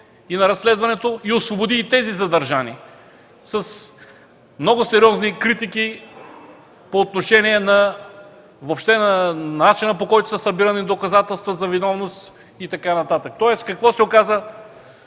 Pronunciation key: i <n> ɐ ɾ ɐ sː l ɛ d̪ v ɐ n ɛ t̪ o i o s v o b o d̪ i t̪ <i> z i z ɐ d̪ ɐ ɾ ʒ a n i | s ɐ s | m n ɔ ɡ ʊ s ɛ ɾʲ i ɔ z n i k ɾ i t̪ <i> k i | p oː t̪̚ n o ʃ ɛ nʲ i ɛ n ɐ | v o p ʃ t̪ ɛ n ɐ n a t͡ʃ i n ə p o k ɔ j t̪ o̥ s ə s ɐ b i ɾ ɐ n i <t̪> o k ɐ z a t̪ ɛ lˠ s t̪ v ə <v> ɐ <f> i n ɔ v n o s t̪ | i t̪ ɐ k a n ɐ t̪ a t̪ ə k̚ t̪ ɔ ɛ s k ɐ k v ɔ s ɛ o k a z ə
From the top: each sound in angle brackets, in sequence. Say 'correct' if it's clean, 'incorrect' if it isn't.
correct, incorrect: ɛ, correct, incorrect: d̪, incorrect: z, incorrect: v

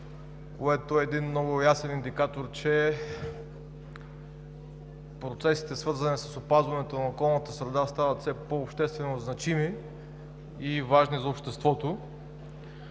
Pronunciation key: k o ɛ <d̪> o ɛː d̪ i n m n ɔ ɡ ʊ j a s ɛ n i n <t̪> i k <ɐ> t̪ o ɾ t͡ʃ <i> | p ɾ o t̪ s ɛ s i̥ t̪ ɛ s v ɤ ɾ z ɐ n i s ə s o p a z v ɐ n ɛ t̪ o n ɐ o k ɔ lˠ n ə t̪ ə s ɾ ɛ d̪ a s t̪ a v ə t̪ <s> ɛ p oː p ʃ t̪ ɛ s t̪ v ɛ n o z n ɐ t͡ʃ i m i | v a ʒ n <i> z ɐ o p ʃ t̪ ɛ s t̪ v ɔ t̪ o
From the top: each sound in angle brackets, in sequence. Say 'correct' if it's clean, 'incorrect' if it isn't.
incorrect: t̪, incorrect: d̪, incorrect: a, incorrect: ɛ, correct, correct

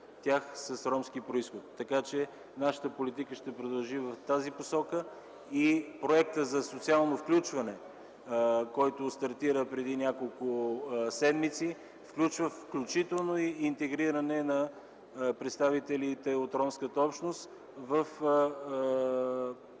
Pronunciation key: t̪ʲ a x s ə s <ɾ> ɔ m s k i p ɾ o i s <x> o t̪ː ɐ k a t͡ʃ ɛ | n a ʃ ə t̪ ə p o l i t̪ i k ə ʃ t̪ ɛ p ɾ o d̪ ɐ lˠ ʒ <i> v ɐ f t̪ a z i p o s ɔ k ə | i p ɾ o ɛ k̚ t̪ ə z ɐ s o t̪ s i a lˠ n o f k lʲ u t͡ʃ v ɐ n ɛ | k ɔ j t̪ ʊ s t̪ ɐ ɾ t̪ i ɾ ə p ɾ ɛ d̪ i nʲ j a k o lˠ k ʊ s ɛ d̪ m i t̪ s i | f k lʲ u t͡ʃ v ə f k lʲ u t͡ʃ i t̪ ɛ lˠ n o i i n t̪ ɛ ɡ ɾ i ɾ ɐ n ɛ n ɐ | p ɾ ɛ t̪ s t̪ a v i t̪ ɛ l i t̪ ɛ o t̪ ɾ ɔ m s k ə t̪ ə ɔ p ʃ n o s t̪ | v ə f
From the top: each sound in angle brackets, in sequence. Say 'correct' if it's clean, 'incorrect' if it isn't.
correct, correct, correct

